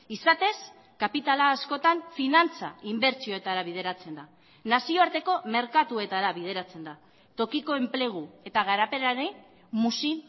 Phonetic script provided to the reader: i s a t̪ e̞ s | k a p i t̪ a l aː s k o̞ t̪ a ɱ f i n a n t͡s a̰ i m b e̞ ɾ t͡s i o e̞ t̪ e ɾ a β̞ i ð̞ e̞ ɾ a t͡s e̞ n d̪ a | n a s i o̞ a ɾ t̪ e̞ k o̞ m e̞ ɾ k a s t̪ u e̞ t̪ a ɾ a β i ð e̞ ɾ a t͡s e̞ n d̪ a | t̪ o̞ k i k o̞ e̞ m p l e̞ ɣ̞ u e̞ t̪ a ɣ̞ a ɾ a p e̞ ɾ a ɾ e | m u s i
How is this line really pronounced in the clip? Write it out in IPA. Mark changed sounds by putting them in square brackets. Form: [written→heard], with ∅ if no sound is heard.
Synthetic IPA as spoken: i s a t̪ e̞ s | k a p i t̪ a l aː s k o̞ t̪ a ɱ f i n a n t͡s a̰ i m b e̞ ɾ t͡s i o e̞ t̪ [e→a] ɾ a β̞ i ð̞ e̞ ɾ a t͡s e̞ n d̪ a | n a s i o̞ a ɾ t̪ e̞ k o̞ m e̞ ɾ k a [s→∅] t̪ u e̞ t̪ a ɾ a β i ð e̞ ɾ a t͡s e̞ n d̪ a | t̪ o̞ k i k o̞ e̞ m p l e̞ ɣ̞ u e̞ t̪ a ɣ̞ a ɾ a p e̞ ɾ a ɾ e | m u s i